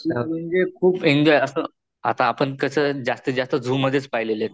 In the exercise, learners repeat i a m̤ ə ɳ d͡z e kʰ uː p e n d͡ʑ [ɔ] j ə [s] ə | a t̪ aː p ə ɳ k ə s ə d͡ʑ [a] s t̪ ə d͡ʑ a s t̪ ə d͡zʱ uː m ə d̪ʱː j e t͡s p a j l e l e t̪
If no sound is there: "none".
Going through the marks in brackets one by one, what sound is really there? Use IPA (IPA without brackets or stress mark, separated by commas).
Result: ɔ, s, a